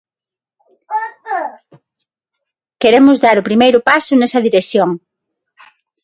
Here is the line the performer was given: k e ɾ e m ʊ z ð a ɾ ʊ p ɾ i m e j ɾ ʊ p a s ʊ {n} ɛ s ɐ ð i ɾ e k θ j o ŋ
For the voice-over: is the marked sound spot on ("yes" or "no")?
yes